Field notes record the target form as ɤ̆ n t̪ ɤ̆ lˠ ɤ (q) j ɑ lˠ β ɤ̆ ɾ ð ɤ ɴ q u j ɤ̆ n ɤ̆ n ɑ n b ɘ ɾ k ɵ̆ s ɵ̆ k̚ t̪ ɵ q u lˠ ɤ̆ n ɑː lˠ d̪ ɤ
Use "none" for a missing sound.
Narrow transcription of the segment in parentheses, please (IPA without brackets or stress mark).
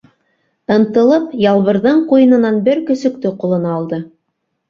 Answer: p